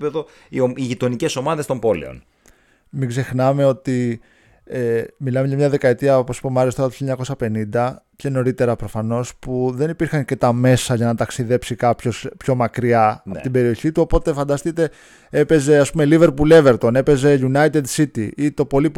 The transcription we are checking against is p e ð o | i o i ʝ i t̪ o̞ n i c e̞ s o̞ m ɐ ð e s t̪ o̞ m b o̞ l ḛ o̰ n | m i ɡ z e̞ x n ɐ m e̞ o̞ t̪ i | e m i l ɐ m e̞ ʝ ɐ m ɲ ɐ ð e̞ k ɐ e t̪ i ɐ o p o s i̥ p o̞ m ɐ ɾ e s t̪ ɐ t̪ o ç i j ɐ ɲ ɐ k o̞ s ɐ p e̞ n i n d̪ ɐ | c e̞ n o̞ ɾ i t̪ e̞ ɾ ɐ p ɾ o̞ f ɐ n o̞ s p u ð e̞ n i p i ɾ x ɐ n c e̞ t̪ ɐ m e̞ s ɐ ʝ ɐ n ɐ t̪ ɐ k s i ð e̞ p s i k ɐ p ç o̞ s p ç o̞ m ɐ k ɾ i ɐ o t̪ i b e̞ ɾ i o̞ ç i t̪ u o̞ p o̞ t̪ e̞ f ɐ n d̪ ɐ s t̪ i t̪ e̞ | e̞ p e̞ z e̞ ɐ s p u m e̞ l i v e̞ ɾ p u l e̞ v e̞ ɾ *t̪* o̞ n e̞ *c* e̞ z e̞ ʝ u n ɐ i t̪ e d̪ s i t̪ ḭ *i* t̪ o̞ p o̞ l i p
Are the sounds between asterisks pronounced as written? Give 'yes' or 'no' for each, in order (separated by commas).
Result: yes, no, yes